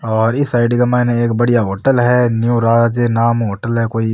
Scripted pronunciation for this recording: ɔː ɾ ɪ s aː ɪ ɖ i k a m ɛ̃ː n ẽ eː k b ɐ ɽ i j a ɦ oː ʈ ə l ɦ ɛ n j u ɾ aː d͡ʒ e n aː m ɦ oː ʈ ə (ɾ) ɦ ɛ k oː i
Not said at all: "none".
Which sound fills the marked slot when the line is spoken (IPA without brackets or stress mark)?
l